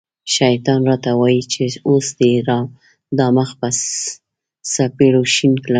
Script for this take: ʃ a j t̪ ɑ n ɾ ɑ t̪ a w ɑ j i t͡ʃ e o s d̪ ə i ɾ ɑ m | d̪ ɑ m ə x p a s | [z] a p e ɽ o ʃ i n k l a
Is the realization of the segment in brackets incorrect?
yes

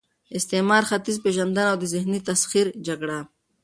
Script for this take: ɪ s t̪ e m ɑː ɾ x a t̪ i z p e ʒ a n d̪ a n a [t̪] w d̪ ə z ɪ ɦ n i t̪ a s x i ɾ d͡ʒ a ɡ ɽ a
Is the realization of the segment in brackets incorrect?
yes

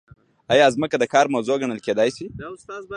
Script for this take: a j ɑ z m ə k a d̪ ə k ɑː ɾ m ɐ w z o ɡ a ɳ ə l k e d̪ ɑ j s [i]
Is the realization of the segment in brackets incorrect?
no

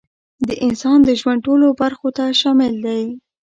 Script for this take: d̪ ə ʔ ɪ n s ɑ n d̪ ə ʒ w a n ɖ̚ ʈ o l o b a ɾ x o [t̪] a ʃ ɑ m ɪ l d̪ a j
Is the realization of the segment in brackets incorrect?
no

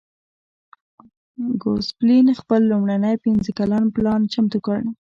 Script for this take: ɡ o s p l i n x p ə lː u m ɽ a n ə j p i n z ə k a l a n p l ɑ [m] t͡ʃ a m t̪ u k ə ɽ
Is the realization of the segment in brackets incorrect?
yes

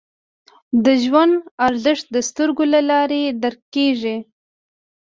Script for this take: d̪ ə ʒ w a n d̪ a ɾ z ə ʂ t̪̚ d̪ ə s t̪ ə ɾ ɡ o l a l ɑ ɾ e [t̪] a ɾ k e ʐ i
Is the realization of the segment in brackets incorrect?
yes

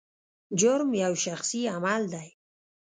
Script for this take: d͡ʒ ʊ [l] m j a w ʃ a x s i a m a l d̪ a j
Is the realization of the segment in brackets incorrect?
yes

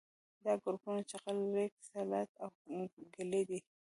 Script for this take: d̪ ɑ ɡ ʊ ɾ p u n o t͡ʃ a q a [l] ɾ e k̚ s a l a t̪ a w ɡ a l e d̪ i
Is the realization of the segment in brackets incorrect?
no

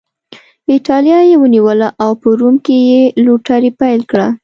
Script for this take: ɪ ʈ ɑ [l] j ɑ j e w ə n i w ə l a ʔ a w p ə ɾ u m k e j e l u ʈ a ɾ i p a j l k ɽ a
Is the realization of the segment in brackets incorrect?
no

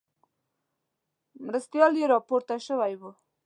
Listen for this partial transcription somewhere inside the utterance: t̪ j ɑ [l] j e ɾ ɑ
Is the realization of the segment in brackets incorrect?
no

